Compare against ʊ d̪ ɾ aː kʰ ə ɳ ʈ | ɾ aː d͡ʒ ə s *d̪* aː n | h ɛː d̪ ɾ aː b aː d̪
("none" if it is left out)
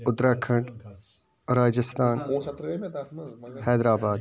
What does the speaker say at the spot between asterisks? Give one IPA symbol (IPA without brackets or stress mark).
t̪